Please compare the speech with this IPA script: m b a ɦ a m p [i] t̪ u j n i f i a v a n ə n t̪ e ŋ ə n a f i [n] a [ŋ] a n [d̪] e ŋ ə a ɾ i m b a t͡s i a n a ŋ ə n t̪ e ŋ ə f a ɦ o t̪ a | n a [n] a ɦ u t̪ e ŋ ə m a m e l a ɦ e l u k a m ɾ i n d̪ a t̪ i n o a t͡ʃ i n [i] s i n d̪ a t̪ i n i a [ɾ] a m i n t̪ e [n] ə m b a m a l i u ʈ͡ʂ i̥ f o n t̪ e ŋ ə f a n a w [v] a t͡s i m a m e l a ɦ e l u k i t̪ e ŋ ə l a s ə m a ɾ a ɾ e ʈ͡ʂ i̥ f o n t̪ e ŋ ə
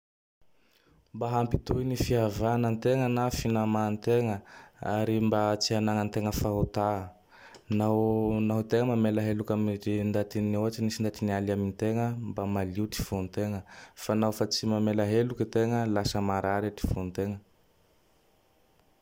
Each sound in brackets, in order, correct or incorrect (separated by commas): correct, correct, incorrect, incorrect, correct, correct, incorrect, incorrect, incorrect